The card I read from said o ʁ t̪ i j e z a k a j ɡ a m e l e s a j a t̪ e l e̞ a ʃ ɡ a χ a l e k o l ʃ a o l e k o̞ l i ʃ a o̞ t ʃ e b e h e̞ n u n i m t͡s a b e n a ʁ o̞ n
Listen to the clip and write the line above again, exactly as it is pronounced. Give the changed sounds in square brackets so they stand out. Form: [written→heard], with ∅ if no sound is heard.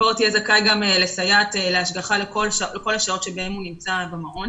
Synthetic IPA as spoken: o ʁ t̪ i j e z a k a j ɡ a m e l e s a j a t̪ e l e̞ a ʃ ɡ a χ a l e k o l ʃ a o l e k o̞ l [i→a] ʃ a o̞ t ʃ e b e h e̞ [n→m] u n i m t͡s a b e [n→m] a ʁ o̞ n

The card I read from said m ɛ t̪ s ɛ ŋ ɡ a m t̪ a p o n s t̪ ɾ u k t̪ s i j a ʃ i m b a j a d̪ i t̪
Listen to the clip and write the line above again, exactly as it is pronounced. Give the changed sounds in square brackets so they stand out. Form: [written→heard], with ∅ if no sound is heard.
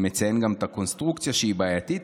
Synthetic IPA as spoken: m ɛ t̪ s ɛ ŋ ɡ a m t̪ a [p→k] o n s t̪ ɾ u k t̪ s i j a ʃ i [m→∅] b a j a [d̪→t̪] i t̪

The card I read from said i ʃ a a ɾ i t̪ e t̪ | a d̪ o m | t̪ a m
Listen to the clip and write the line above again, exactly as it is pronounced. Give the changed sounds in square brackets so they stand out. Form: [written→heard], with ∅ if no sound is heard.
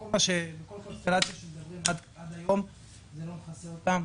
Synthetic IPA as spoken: [i→a] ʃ [a→e] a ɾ [i→a] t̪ [e→a] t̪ | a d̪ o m | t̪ a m

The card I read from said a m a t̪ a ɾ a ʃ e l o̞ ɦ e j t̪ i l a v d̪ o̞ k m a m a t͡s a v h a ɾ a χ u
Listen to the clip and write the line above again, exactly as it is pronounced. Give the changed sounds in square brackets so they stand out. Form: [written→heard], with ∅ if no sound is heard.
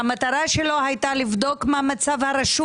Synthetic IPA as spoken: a m a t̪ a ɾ a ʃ e l o̞ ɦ [e→a] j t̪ [i→a] l [a→i] v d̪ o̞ k m a m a t͡s a v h a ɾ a [χ→ʃ] u

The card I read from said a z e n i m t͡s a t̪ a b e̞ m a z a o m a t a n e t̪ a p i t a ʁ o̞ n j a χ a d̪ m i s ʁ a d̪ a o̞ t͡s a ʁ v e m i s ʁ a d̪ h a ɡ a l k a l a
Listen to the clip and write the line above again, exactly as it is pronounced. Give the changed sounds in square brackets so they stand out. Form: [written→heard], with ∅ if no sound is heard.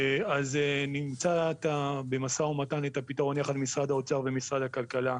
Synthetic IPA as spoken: a z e n i m t͡s a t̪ a b e̞ m a [z→s] a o m a t a n e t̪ a p i t a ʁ o̞ n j a χ a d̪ m i s ʁ a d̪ a o̞ t͡s a ʁ v e m i s ʁ a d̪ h a [ɡ→k] a l k a l a

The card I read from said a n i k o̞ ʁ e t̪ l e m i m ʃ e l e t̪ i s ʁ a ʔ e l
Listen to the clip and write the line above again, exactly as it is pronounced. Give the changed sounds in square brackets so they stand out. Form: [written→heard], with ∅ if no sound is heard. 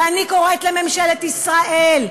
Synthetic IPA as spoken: a n i k o̞ ʁ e t̪ l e m [i→e] m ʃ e l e t̪ i s ʁ a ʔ e l

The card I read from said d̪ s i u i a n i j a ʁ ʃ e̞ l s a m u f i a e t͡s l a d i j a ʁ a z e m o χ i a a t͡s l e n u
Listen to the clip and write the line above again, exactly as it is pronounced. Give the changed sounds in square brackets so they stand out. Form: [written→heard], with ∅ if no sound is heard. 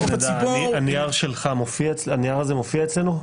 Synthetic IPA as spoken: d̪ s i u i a n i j a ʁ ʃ e̞ l [s→χ] a m [u→o] f i a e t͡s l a [d→n] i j a ʁ a z e m o [χ→f] i a [a→e] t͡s l e n u

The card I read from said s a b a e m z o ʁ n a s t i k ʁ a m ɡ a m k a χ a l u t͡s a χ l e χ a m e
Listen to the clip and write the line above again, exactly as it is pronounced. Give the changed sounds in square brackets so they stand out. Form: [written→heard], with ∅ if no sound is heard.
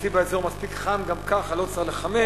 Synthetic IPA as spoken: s [a→i] b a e [m→∅] z o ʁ [n→m] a s [t→p] i k [ʁ→χ] a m ɡ a m k a χ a l [u→o] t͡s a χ l e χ a m e

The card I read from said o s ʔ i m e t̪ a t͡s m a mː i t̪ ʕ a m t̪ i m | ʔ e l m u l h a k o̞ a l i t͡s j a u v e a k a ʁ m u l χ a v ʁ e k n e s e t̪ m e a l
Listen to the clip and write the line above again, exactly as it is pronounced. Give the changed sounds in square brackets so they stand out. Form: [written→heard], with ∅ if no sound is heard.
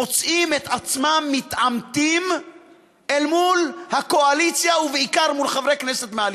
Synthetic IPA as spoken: o [s→t͡s] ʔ i m e t̪ a t͡s m a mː i t̪ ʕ a m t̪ i m | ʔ e l m u l h a k o̞ a l i t͡s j a u v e [a→i] k a ʁ m u l χ a v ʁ e k n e s e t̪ m e a l

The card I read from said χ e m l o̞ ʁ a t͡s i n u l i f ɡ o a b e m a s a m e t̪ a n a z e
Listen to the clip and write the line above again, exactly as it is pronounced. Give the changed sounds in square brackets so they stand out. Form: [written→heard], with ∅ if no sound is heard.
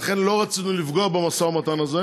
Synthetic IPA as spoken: χ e [m→n] l o̞ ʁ a t͡s i n u l i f ɡ o a b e m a s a m [e→a] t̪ a n a z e

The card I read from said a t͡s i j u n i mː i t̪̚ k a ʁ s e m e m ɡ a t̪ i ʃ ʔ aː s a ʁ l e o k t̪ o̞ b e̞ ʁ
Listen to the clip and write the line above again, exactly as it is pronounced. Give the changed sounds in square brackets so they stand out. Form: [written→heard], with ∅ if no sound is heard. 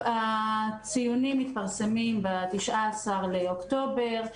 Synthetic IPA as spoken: a t͡s i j u n i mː i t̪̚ [k→p] a ʁ s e m [e→i] m [ɡ→b] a t̪ i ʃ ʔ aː s a ʁ l e o k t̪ o̞ b e̞ ʁ

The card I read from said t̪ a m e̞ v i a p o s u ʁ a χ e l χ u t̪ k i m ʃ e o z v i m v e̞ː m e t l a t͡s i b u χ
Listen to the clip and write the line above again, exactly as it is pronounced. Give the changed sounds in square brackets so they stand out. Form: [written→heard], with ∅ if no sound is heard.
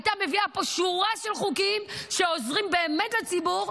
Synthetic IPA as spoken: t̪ a m e̞ v i a p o [s→ʃ] u ʁ a [χ→ʃ] e l χ u [t̪→∅] k i m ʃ e o z [v→ʁ] i m [v→b] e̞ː m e t l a t͡s i b u [χ→ʁ]

